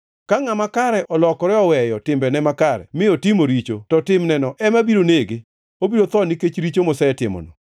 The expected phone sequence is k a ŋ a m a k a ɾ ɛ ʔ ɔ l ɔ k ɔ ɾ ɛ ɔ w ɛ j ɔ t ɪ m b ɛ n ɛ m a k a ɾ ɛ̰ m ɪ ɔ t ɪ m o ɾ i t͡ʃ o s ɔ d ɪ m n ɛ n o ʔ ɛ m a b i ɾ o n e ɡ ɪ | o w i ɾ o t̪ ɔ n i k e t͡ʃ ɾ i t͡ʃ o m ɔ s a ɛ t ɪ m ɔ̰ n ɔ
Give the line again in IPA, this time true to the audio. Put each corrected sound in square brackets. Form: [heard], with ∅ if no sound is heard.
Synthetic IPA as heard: k a ŋ a m a k a ɾ ɛ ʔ ɔ l ɔ k ɔ ɾ ɛ ɔ w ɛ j ɔ t ɪ m b ɛ n ɛ m a k a ɾ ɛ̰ m ɪ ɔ t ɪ m o ɾ i t͡ʃ o [t] ɔ [t] ɪ m n ɛ n [ɔ] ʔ ɛ m a b i ɾ o n e ɡ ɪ | o [b] i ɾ o t̪ ɔ n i k e t͡ʃ ɾ i t͡ʃ o m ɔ s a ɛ t ɪ m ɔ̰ n ɔ